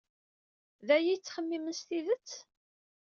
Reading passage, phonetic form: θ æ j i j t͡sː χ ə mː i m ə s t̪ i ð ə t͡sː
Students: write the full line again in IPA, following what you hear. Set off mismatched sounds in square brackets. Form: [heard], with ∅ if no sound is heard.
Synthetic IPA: [ð] æ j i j t͡sː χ ə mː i m ə s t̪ i ð ə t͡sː